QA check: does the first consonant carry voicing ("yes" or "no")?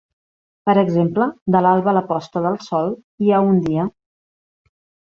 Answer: no